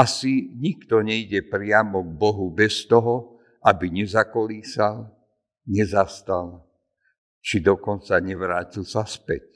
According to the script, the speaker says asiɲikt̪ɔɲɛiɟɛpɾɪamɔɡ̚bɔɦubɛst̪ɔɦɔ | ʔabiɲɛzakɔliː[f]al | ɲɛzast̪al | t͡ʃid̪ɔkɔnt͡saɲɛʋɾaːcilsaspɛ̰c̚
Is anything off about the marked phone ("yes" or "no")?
yes